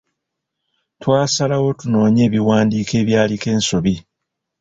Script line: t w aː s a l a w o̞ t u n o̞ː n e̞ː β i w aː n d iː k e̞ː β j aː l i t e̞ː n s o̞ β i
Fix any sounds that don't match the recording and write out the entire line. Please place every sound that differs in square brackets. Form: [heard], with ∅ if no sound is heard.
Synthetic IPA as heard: t w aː s a l a w o̞ t u n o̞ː [ɲ] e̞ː β i w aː n d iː k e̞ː β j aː l i [k] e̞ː n s o̞ β i